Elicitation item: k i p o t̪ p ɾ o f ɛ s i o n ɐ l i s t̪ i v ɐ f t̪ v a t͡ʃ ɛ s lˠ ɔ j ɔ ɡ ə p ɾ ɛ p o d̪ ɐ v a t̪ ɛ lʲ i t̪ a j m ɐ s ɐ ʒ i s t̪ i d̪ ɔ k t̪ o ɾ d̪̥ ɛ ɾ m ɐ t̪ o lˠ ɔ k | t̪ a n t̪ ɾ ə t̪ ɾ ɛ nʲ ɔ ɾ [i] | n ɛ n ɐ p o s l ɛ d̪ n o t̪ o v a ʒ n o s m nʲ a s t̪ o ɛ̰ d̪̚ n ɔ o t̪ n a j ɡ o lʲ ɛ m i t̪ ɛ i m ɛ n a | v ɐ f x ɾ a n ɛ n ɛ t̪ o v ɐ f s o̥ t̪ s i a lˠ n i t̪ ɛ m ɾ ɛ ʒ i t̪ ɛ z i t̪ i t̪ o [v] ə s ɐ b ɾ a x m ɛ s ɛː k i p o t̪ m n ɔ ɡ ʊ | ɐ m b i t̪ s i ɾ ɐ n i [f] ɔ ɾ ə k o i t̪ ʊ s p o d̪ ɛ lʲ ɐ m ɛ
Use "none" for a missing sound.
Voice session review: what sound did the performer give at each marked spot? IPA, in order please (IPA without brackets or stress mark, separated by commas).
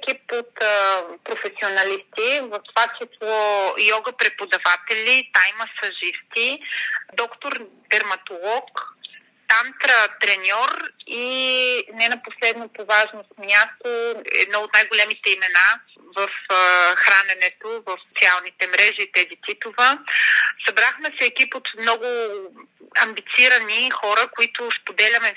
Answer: i, v, x